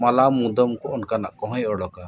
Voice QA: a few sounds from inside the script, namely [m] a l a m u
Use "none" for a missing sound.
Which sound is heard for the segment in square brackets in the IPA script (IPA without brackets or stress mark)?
m